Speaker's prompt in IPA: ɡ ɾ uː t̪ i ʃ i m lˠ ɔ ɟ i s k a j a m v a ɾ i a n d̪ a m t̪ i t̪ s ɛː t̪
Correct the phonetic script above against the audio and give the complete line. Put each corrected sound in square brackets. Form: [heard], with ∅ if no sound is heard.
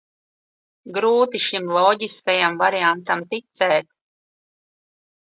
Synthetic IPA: ɡ ɾ uː t̪ i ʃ i m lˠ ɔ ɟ i s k a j a m v a ɾ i a n [t̪] a m t̪ i t̪ s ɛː t̪